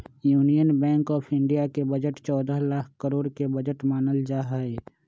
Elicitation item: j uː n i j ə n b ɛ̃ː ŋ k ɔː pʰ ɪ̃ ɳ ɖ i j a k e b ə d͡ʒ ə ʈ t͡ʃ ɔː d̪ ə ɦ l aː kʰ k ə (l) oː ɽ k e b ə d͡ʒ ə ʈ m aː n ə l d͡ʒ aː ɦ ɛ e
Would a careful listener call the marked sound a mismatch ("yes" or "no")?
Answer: yes